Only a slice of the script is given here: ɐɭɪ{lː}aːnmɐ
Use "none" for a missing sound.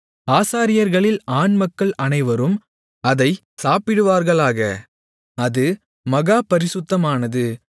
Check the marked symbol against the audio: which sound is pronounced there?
l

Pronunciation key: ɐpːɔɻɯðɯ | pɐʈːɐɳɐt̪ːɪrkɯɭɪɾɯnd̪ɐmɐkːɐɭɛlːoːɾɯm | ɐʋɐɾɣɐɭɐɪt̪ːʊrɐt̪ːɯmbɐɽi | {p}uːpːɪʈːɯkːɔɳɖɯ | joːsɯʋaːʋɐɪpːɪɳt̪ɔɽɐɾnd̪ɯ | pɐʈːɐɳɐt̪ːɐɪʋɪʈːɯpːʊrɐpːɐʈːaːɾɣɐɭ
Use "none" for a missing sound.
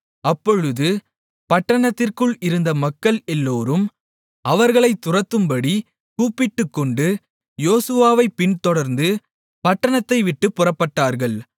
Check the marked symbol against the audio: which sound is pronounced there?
k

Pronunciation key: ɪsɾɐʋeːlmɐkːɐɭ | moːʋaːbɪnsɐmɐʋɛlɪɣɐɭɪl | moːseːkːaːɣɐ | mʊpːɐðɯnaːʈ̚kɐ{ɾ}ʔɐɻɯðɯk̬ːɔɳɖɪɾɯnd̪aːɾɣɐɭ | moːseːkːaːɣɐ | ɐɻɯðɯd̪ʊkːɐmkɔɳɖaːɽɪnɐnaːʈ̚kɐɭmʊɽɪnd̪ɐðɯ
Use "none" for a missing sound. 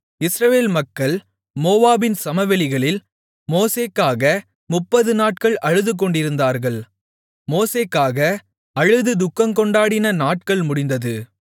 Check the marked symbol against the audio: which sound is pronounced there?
ɭ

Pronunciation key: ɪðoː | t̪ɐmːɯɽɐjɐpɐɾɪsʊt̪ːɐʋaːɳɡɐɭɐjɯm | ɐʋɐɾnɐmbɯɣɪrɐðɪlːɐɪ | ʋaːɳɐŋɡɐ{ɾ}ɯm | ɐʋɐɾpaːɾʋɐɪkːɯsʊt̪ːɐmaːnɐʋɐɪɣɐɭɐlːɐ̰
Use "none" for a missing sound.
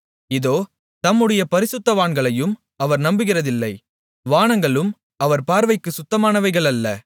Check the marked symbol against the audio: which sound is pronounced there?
ɭ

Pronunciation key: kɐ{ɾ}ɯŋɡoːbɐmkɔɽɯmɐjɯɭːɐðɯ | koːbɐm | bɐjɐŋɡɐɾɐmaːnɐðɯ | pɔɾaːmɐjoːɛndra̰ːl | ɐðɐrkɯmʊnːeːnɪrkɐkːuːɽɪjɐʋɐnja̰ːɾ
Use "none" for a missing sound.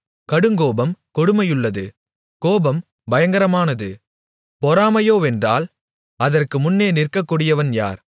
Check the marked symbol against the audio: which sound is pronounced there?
ɽ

